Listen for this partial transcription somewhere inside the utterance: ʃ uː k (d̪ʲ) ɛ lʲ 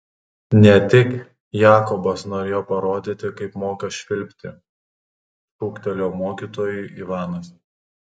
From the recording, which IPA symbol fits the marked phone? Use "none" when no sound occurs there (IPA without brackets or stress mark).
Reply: t̪ʲ